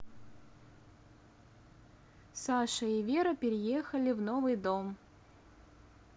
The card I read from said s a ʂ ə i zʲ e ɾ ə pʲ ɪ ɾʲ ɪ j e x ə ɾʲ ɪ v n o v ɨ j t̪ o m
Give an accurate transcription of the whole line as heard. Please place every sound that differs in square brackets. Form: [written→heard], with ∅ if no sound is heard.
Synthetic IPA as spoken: s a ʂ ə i [zʲ→vʲ] e ɾ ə pʲ ɪ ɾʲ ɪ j e x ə [ɾʲ→lʲ] ɪ v n o v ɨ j [t̪→d̪] o m